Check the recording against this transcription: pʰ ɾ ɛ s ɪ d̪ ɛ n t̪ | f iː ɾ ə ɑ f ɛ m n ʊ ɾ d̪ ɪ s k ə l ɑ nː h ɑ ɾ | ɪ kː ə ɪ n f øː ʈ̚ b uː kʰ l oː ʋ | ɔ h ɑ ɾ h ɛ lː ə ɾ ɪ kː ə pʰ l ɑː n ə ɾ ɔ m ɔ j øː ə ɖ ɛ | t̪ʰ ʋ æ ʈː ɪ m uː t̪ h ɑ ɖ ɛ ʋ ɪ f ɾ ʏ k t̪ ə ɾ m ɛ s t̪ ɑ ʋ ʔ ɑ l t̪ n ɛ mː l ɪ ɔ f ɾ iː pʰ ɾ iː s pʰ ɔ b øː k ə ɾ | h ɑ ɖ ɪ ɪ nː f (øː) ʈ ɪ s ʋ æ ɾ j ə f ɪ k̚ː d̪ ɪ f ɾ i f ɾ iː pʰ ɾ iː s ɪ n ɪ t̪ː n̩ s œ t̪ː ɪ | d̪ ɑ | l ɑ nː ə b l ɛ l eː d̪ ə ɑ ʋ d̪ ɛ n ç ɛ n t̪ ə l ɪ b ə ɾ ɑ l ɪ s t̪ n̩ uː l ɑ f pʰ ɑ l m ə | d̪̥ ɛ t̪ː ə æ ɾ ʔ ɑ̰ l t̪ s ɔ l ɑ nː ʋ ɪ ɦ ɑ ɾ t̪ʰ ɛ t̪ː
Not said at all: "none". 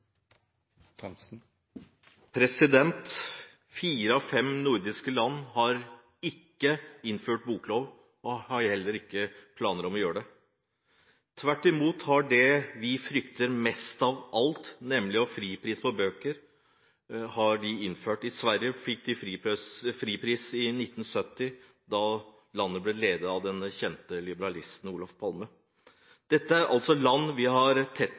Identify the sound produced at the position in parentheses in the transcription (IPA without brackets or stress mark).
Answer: øː